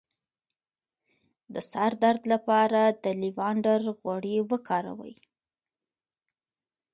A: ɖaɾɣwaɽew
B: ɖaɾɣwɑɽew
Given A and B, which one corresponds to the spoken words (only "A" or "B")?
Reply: A